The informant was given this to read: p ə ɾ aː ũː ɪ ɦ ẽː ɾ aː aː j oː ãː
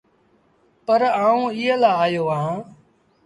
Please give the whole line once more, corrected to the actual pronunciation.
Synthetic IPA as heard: p ə ɾ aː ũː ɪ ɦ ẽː l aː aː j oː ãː

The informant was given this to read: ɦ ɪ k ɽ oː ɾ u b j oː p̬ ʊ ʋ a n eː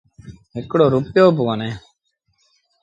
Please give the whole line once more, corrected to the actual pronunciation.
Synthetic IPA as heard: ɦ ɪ k ɽ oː ɾ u p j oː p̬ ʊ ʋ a n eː

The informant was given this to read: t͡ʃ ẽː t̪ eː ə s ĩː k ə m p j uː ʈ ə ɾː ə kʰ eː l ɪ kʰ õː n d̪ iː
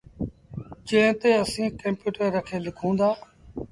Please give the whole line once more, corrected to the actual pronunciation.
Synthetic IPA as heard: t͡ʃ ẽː t̪ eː ə s ĩː k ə m p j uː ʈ ə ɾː ə kʰ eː l ɪ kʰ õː n d̪ aː

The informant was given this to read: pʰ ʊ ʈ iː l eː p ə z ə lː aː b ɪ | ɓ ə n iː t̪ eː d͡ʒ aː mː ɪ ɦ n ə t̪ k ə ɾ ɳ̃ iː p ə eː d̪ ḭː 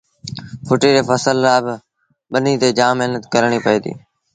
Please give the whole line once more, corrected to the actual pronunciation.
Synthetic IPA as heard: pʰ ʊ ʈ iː ɾ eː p ə s ə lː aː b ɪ | ɓ ə n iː t̪ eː d͡ʒ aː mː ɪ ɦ n ə t̪ k ə ɾ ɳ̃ iː p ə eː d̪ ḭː

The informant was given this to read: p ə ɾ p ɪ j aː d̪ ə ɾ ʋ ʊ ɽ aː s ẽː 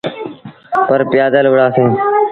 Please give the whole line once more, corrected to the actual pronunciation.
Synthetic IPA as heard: p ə ɾ p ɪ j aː d̪ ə l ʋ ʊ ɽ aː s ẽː

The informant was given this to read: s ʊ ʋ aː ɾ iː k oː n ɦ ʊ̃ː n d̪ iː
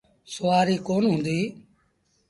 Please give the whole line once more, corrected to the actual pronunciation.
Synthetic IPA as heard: s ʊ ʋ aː ɾ iː k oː n ɦ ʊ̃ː n d̪ iː

